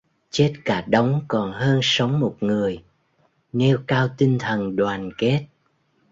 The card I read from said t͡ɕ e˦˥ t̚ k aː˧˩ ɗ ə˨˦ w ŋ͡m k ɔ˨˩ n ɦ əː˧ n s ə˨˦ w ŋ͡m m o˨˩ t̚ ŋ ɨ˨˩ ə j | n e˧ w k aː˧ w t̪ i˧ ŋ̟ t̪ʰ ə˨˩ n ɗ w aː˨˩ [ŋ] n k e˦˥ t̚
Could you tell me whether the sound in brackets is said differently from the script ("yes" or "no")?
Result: yes